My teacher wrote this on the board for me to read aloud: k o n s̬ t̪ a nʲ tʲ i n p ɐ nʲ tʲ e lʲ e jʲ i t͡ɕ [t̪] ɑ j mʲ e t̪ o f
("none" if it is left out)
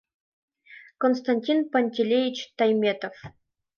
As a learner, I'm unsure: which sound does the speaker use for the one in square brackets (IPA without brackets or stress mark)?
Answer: t̪